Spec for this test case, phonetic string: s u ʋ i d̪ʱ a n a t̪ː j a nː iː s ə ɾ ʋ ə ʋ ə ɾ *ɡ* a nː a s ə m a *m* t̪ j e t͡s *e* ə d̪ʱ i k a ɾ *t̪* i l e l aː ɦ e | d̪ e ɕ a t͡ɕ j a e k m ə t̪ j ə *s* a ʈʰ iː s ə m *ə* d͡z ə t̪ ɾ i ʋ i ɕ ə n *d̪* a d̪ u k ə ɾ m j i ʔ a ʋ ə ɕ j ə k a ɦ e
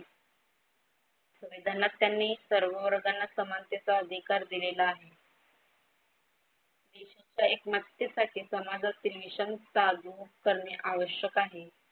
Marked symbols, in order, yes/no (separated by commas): yes, no, no, no, yes, no, no